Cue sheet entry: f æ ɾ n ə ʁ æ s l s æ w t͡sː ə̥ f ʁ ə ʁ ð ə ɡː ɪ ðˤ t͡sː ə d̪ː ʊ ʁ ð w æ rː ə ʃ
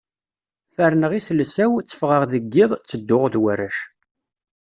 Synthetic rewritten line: f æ ɾ n ə ʁ i s l s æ w t͡sː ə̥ f ʁ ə ʁ ð ə ɡː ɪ ðˤ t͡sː ə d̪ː ʊ ʁ ð w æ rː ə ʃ